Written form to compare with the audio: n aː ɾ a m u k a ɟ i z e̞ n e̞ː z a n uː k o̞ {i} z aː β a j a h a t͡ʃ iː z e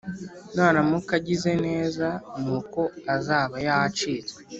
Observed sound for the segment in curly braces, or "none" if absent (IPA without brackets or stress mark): a